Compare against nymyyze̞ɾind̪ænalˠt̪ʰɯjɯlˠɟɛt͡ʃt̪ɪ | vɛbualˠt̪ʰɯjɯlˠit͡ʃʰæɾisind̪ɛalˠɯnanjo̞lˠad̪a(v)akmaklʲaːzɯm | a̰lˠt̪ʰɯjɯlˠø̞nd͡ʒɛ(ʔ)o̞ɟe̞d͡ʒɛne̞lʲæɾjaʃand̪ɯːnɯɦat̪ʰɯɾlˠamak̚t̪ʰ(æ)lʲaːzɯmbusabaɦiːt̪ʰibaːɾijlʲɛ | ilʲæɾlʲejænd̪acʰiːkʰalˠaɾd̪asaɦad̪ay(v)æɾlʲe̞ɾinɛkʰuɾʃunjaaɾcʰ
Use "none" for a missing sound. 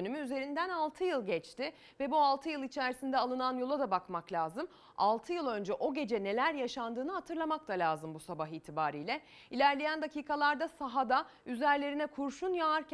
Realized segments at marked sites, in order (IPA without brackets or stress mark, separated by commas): b, ʔ, a, z